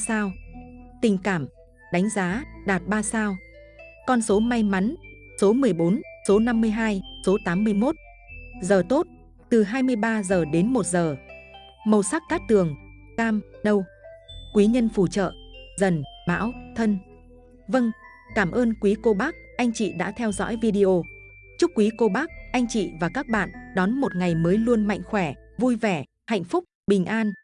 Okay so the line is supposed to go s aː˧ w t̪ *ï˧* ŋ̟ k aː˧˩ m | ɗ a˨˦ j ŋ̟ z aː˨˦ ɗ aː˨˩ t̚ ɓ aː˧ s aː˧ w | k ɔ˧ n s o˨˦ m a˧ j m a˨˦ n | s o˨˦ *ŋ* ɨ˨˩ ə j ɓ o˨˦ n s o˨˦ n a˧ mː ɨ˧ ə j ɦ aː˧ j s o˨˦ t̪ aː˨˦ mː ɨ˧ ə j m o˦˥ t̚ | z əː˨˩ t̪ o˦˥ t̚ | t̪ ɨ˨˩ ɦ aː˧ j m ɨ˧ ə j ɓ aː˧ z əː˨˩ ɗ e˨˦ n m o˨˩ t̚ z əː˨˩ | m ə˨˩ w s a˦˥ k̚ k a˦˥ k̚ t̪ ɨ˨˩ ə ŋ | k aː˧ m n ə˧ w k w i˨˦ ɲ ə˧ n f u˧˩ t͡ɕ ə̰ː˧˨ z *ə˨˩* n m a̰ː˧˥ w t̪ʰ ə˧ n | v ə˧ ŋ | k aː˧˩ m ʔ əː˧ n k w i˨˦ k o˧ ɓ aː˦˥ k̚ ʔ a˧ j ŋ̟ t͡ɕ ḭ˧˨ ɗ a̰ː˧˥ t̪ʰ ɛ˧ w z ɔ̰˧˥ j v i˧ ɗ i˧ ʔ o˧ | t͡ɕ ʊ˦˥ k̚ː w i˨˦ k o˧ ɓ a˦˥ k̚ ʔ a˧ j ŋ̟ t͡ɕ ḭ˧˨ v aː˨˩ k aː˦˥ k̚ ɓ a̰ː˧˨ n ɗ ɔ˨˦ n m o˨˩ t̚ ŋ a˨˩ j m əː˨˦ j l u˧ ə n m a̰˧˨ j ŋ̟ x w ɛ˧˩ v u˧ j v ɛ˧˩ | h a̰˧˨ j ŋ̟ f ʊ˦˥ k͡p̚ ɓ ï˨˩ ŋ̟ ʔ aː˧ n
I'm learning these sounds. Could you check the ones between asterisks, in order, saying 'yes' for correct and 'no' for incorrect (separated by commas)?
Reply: no, no, yes